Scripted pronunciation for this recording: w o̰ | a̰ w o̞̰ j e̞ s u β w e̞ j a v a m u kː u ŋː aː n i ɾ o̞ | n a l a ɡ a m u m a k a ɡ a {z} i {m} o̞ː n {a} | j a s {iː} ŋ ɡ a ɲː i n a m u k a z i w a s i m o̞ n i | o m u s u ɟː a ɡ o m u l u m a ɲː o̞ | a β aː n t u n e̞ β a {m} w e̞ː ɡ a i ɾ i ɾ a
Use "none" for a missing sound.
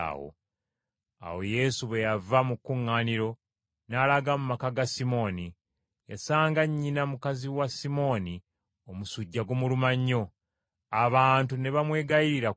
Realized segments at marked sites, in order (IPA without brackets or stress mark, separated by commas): s, m, i, aː, m